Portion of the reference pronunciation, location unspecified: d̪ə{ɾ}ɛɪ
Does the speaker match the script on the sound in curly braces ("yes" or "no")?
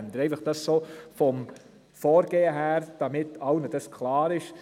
yes